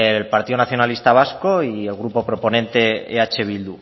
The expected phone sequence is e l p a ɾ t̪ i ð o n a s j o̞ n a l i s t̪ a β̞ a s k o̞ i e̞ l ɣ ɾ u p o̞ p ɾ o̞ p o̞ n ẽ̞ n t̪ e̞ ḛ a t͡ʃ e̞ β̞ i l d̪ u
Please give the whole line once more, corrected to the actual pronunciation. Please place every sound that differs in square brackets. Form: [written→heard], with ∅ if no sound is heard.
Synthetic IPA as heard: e l p a ɾ t̪ i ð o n a [s→θ] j o̞ n a l i s t̪ a β̞ a s k o̞ i e̞ l ɣ ɾ u p o̞ p ɾ o̞ p o̞ n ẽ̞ n t̪ e̞ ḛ a t͡ʃ e̞ β̞ i l d̪ u